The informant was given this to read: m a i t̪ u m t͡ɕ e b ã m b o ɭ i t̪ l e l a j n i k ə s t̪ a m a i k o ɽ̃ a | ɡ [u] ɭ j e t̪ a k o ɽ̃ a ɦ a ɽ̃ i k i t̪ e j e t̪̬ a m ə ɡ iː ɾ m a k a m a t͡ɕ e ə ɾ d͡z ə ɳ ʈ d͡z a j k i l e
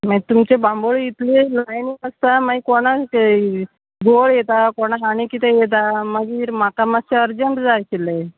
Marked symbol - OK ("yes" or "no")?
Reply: no